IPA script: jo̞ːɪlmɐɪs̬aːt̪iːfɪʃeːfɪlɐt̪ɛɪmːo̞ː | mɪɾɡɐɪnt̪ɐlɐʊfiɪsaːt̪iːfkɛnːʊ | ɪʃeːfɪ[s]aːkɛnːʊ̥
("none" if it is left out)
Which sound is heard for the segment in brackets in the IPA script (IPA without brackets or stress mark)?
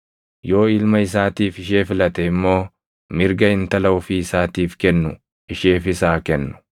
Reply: s